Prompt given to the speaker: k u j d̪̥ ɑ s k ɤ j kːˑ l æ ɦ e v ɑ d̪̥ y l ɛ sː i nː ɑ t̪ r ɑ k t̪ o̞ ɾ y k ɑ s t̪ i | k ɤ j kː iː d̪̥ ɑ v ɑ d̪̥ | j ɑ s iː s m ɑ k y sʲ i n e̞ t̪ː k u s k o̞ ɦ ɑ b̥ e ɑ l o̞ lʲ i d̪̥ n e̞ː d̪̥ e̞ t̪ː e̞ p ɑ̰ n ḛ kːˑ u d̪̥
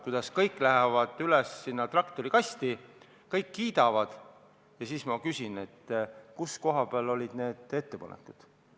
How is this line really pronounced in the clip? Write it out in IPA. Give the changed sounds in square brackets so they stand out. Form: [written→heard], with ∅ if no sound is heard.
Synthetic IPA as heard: k u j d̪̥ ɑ s k ɤ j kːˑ l æ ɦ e v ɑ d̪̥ y l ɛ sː i nː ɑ t̪ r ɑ k t̪ o̞ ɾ [y→i] k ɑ s t̪ i | k ɤ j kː iː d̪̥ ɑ v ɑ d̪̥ | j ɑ s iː s m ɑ k y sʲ i n e̞ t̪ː k u s k o̞ ɦ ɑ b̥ e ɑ l o̞ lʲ i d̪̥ n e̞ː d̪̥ e̞ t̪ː e̞ p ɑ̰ n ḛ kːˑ u d̪̥